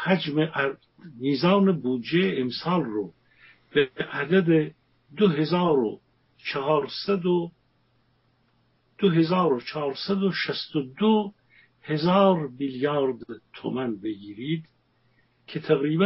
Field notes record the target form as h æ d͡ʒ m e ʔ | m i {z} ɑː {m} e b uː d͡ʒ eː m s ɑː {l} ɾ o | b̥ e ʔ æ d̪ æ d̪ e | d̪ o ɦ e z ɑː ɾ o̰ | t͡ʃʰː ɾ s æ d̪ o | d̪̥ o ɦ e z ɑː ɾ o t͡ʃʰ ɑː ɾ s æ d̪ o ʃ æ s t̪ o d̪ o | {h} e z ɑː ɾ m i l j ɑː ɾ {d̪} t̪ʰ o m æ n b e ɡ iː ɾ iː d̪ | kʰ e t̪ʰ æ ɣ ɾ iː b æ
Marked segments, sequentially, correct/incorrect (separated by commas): correct, incorrect, correct, correct, correct